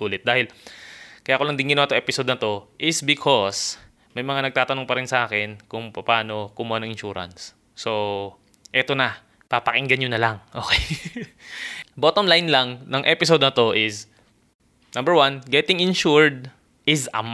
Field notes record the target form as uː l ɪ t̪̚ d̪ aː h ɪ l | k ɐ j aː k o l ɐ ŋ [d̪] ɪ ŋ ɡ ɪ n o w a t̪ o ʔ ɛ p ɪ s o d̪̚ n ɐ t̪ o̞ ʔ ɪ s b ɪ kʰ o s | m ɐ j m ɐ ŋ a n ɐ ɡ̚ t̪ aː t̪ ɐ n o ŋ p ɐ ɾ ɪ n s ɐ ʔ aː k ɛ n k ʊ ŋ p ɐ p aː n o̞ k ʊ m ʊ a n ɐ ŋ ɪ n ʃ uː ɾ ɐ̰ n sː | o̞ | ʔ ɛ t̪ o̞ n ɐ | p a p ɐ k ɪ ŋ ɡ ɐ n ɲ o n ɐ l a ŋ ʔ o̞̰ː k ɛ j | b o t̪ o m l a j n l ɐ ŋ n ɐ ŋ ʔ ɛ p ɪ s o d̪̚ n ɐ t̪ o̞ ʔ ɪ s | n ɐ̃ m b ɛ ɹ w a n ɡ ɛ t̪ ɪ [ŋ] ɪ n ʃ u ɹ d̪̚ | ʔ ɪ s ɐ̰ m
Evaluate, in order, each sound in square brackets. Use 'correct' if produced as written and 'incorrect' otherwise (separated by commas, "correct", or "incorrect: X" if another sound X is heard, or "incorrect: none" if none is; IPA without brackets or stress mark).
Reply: correct, correct